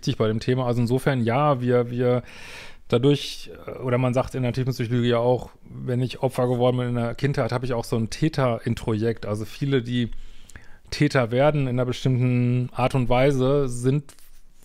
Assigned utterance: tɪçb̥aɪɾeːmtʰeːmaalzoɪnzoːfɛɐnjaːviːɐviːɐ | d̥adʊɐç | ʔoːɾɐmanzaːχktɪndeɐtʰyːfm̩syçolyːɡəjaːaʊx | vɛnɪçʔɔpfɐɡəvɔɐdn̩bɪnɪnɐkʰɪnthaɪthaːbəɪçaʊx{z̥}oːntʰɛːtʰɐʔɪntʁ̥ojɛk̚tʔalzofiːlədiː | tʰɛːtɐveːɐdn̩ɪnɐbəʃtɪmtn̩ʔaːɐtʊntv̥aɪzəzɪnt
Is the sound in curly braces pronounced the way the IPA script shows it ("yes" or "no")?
yes